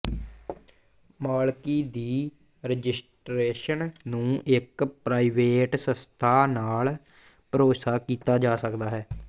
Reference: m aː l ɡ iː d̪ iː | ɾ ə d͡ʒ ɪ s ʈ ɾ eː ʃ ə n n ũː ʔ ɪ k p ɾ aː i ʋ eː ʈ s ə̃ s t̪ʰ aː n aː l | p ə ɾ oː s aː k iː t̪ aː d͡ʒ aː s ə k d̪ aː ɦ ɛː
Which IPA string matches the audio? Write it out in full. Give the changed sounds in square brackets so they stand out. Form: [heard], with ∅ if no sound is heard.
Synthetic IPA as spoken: m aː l [k] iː d̪ iː | ɾ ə d͡ʒ ɪ s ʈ ɾ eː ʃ ə n n ũː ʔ ɪ k p ɾ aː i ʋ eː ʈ s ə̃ s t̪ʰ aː n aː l | p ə ɾ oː s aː k iː t̪ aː d͡ʒ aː s ə k d̪ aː ɦ ɛː